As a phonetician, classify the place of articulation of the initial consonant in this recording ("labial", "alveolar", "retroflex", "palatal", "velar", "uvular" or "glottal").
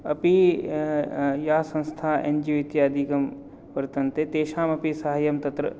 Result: labial